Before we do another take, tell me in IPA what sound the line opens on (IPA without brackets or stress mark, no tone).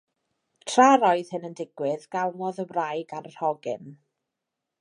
tʰ